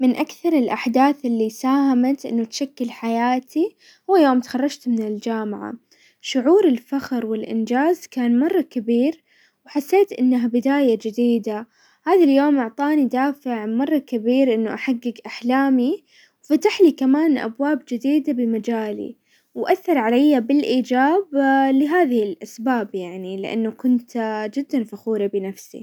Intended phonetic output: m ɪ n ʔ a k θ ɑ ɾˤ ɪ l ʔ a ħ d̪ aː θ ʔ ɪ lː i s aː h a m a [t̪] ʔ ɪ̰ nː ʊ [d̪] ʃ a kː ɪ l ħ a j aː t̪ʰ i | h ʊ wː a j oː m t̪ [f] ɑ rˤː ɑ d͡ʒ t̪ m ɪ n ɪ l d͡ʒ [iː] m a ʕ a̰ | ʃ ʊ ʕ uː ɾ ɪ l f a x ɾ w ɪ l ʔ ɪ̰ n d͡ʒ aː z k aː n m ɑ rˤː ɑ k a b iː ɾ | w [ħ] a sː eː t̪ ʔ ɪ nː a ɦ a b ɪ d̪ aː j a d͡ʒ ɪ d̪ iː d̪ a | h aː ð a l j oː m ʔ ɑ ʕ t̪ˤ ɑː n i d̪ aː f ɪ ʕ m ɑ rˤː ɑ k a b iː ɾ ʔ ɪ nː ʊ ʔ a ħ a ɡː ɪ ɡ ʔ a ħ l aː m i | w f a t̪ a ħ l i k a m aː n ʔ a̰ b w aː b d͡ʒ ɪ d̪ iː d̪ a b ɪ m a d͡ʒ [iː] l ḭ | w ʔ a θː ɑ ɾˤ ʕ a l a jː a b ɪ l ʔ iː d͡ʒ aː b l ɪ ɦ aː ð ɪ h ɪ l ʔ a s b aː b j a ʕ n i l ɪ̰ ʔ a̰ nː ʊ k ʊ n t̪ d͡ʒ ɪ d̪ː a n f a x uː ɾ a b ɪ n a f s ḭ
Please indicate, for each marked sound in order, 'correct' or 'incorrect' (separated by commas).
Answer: correct, incorrect, incorrect, incorrect, correct, incorrect